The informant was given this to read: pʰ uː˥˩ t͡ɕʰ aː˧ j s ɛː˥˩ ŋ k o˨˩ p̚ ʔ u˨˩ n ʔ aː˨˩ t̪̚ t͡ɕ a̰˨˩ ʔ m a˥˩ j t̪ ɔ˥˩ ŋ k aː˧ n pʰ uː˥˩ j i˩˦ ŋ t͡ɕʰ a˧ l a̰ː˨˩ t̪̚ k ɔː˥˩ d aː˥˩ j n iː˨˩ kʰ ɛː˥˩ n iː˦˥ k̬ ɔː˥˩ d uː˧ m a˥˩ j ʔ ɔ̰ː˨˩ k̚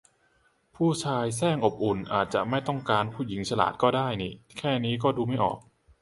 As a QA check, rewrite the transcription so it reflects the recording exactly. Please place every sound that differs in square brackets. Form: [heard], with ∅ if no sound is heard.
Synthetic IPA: pʰ uː˥˩ t͡ɕʰ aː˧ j s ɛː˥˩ ŋ [ʔ] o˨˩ p̚ ʔ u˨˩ n ʔ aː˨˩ t̪̚ t͡ɕ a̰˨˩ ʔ m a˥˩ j t̪ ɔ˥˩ ŋ k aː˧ n pʰ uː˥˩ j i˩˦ ŋ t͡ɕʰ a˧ l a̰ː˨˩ t̪̚ k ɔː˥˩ d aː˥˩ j n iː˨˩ kʰ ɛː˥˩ n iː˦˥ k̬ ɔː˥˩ d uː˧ m a˥˩ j ʔ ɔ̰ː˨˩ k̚